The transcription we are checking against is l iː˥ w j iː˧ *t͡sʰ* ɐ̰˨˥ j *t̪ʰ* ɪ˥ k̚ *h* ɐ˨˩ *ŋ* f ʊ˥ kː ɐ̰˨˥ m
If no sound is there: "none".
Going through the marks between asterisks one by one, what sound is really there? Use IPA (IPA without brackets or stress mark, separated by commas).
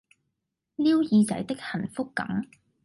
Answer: t͡s, t̪, h, n